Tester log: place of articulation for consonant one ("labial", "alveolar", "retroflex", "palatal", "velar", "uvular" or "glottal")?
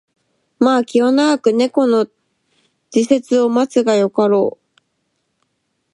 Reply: labial